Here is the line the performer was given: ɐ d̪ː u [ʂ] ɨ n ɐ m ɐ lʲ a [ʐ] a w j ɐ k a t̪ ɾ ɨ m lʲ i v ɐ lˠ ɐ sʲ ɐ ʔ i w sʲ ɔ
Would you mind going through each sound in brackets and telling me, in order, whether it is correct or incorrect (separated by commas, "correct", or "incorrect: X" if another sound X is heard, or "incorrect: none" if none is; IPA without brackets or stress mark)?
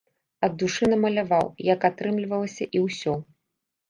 correct, incorrect: v